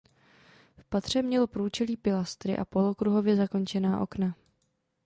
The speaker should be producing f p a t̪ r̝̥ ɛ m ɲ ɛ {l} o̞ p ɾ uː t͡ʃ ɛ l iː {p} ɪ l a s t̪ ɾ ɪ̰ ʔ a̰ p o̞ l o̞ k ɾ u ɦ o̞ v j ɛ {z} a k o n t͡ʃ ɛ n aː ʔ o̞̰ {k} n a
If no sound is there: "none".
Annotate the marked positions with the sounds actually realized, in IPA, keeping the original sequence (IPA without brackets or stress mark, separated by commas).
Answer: l, p, z, k